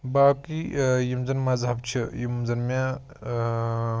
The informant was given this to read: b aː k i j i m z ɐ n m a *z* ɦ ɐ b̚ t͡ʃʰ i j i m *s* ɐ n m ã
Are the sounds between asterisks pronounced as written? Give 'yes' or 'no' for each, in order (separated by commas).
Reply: yes, no